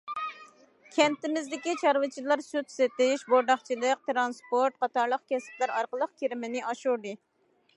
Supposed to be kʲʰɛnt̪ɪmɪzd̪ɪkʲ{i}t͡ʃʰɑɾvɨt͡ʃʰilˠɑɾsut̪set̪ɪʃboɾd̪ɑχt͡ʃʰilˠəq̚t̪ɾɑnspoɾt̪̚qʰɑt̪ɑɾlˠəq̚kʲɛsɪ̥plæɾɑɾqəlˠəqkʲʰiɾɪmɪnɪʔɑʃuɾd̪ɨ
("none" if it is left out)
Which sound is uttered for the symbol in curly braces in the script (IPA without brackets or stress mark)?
i